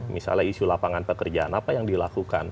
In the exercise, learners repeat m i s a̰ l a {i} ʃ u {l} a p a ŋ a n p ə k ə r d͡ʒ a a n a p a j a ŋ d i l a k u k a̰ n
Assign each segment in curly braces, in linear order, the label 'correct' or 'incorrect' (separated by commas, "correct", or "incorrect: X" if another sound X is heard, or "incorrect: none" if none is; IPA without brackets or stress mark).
correct, correct